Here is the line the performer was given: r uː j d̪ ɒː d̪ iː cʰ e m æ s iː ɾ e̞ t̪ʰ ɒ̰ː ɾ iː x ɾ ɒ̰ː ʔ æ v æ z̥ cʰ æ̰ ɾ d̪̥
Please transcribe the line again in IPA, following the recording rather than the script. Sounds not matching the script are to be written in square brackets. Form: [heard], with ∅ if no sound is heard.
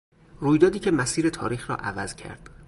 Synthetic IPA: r uː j d̪ ɒː d̪ iː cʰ e m æ s iː ɾ e̞ t̪ʰ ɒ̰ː ɾ iː x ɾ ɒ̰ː ʔ æ v æ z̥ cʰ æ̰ ɾ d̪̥